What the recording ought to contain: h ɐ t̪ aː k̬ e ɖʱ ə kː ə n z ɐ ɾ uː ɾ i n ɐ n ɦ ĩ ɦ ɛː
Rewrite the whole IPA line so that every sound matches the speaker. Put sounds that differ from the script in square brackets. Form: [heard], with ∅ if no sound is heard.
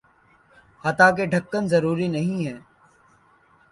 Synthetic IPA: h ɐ t̪ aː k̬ e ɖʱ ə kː ə n z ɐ ɾ uː ɾ i n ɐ [∅] ɦ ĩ ɦ ɛː

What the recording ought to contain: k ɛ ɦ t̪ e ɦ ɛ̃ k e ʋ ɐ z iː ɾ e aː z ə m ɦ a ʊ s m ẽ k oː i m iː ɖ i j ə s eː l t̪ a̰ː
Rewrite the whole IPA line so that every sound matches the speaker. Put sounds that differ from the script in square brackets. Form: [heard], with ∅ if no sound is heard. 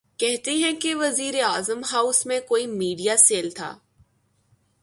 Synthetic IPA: k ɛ ɦ t̪ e ɦ ɛ̃ k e ʋ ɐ z iː ɾ e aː z ə m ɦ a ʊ s m ẽ k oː i m iː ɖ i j [a] s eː l [t̪ʰ] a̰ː

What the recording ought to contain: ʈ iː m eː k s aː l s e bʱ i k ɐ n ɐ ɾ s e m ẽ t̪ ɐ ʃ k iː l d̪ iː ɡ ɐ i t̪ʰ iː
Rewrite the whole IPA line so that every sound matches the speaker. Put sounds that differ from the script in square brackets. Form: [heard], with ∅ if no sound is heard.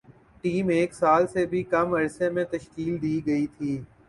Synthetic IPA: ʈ iː m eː k s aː l s e bʱ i k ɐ [m] ɐ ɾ s e m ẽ t̪ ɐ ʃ k iː l d̪ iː ɡ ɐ i t̪ʰ iː

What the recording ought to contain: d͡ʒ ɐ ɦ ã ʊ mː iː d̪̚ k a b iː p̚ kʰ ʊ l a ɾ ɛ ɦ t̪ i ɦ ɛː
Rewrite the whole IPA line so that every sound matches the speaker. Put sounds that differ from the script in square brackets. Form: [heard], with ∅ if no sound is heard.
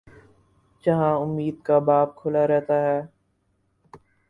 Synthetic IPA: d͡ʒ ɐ ɦ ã ʊ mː iː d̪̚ k a b [aː] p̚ kʰ ʊ l a ɾ ɛ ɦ t̪ [a] ɦ ɛː

